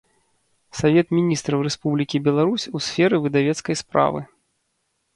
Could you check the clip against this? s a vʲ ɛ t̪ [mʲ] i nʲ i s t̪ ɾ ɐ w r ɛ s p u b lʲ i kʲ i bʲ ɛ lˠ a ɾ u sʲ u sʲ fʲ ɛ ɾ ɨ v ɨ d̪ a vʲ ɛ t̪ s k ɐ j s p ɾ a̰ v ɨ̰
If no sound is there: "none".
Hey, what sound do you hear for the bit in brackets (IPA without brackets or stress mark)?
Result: mʲ